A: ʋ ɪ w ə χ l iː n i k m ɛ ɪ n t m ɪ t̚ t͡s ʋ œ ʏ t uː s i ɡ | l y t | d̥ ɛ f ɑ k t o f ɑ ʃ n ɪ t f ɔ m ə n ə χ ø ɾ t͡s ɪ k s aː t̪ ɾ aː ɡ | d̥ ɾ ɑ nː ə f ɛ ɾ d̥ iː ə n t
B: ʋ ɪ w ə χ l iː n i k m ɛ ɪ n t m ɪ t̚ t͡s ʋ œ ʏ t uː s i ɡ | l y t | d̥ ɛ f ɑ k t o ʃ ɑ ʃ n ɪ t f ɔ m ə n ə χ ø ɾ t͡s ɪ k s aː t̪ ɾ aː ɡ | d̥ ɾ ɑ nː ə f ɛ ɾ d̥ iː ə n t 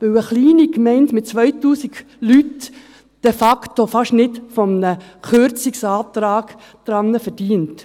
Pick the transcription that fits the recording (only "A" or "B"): A